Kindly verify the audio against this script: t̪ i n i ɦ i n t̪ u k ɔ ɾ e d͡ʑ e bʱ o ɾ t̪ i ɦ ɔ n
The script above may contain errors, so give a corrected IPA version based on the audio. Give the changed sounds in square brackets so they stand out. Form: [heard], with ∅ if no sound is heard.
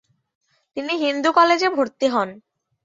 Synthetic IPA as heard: t̪ i n i ɦ i n [d̪] u k ɔ [l] e d͡ʑ e bʱ o ɾ t̪ i ɦ ɔ n